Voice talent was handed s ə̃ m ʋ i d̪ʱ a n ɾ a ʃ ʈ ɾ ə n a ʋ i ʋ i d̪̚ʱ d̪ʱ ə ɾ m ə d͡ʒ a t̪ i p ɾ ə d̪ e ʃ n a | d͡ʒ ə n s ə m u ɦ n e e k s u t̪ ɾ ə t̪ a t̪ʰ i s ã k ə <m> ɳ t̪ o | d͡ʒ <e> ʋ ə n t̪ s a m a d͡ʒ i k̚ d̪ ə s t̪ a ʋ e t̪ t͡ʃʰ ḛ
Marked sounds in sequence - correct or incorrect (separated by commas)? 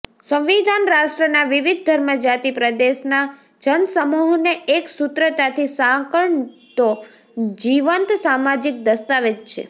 incorrect, incorrect